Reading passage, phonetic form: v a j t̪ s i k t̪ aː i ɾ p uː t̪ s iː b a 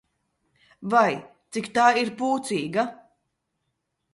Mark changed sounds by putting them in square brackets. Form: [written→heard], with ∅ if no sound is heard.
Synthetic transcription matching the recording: v a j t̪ s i k t̪ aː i ɾ p uː t̪ s iː [b→ɡ] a